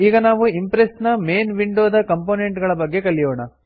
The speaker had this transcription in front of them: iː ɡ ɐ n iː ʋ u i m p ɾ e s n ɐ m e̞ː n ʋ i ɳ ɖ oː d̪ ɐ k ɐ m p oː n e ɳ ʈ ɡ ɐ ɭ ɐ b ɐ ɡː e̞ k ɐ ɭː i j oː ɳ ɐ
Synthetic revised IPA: iː ɡ ɐ n aː ʋ u i m p ɾ e s n ɐ m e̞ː n ʋ i ɳ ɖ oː d̪ ɐ k ɐ m p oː n e ɳ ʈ ɡ ɐ ɭ ɐ b ɐ ɡː e̞ k ɐ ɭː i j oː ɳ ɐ

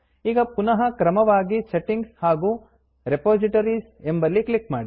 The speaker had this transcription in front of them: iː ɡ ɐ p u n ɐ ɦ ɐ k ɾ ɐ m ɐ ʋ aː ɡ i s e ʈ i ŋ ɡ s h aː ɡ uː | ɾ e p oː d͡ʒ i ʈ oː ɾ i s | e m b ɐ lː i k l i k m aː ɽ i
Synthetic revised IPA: iː ɡ ɐ p u n ɐ ɦ ɐ k ɾ ɐ m ɐ ʋ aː ɡ i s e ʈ i ŋ ɡ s h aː ɡ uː | ɾ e p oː d͡ʒ i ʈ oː ɾ i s | e m b ɐ lː i k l i k m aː ɽ i

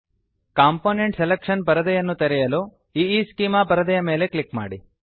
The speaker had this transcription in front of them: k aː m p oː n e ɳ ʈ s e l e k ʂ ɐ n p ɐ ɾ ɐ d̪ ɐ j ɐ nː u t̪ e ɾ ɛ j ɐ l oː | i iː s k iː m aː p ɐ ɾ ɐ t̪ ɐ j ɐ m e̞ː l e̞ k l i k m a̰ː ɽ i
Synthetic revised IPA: k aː m p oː n e ɳ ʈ s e l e k ʂ ɐ n p ɐ ɾ ɐ d̪ ɐ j ɐ nː u t̪ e ɾ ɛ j ɐ l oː | i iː s k iː m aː p ɐ ɾ ɐ d̪ ɐ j ɐ m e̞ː l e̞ k l i k m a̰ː ɽ i

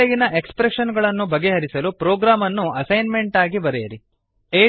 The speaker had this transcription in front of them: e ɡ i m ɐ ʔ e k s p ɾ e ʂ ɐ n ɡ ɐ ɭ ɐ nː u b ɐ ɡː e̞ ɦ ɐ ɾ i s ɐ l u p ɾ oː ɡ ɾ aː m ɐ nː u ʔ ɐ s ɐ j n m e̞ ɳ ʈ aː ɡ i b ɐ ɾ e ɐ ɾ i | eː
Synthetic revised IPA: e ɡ i n ɐ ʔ e k s p ɾ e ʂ ɐ n ɡ ɐ ɭ ɐ nː u b ɐ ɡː e̞ ɦ ɐ ɾ i s ɐ l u p ɾ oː ɡ ɾ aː m ɐ nː u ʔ ɐ s ɐ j n m e̞ ɳ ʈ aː ɡ i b ɐ ɾ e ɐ ɾ i | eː

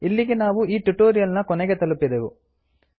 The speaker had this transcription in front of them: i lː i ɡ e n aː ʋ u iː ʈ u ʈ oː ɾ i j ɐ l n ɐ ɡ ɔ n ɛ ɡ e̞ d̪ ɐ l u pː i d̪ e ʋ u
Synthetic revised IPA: i lː i ɡ e n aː ʋ u iː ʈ u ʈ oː ɾ i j ɐ l n ɐ k ɔ n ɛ ɡ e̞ t̪ ɐ l u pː i d̪ e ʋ u

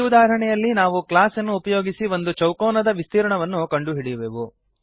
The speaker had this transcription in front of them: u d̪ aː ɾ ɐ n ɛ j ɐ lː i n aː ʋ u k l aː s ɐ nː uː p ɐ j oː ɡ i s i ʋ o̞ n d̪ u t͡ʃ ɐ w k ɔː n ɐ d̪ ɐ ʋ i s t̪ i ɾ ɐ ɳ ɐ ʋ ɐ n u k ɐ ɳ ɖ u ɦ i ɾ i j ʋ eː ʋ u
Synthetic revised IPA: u d̪ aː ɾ ɐ ɳ ɛ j ɐ lː i n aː ʋ u k l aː s ɐ nː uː p ɐ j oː ɡ i s i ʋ o̞ n d̪ u t͡ʃ ɐ w k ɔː n ɐ d̪ ɐ ʋ i s t̪ iː ɾ ɐ ɳ ɐ ʋ ɐ nː u k ɐ ɳ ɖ u ɦ i ɽ i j ʋ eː ʋ u

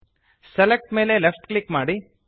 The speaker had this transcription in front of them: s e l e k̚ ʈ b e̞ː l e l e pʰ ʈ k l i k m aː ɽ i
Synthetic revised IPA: s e l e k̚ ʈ m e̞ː l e l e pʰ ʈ k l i k m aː ɽ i

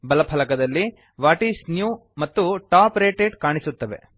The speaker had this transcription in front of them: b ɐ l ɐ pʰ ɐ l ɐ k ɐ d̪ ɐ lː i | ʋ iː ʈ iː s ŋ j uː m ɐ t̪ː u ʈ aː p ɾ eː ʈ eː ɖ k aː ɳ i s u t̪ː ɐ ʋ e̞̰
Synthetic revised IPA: b ɐ l ɐ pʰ ɐ l ɐ k ɐ d̪ ɐ lː i | ʋ aː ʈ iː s n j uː m ɐ t̪ː u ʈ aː p ɾ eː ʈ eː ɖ k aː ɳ i s u t̪ː ɐ ʋ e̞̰

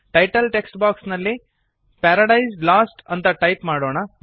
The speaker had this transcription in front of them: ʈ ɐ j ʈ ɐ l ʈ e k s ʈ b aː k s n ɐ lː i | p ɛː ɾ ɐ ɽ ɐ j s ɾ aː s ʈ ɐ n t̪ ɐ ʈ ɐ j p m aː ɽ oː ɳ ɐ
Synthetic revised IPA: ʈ ɐ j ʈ ɐ l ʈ e k s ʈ b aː k s n ɐ lː i | p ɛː ɾ ɐ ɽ ɐ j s l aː s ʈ ɐ n t̪ ɐ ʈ ɐ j p m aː ɽ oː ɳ ɐ

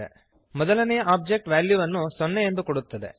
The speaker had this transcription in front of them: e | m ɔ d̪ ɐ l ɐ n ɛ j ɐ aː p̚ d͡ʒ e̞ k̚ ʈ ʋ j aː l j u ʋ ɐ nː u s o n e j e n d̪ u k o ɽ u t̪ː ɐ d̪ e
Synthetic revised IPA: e | m ɔ d̪ ɐ l ɐ n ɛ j ɐ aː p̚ d͡ʒ e̞ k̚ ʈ ʋ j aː l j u ʋ ɐ nː u s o nː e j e n d̪ u k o ɽ u t̪ː ɐ d̪ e

